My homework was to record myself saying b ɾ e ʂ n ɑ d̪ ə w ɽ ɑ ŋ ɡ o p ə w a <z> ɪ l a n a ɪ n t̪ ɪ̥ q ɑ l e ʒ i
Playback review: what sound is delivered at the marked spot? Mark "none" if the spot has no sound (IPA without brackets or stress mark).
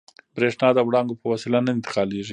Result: s